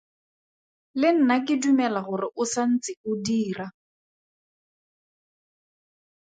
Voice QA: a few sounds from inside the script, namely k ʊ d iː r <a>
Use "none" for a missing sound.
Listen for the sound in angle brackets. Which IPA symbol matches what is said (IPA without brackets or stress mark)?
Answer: a